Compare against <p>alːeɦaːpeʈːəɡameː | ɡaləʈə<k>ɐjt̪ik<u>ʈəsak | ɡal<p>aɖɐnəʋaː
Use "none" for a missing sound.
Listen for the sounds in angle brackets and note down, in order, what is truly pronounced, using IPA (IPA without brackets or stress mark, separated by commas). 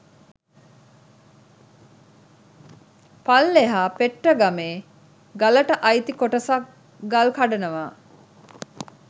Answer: p, ʔ, o, k